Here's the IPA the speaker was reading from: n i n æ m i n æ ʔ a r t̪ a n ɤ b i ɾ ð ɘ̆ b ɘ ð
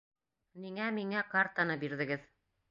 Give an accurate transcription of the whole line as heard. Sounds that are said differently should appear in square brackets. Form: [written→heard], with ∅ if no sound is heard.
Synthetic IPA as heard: n i [n→ŋ] æ m i [n→ŋ] æ [ʔ→k] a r t̪ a n ɤ b i ɾ ð ɘ̆ [b→ɡ] ɘ ð